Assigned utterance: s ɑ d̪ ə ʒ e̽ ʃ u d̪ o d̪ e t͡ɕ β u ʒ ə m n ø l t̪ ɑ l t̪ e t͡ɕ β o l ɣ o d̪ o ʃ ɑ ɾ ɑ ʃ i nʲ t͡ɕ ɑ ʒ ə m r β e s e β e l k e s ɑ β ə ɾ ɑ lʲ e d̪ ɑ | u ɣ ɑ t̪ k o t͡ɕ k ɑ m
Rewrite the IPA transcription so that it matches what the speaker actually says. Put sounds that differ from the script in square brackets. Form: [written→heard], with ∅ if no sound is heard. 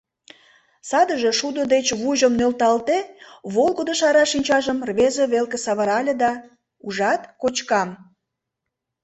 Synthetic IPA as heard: s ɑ d̪ ə ʒ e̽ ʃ u d̪ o d̪ e t͡ɕ β u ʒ ə m n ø l t̪ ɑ l t̪ e [t͡ɕ→∅] β o l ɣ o d̪ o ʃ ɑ ɾ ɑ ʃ i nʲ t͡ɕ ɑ ʒ ə m r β e [s→z] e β e l k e s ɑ β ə ɾ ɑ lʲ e d̪ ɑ | u [ɣ→ʒ] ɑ t̪ k o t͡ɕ k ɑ m